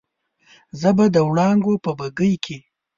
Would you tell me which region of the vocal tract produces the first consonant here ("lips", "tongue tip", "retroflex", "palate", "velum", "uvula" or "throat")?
tongue tip